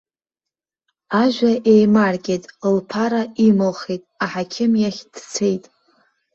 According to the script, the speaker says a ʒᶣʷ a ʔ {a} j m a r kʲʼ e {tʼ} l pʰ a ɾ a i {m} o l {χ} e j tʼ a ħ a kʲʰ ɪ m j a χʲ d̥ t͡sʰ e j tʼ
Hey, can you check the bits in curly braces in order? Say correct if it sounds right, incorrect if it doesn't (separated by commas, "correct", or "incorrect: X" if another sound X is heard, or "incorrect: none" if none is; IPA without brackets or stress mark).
incorrect: e, correct, correct, correct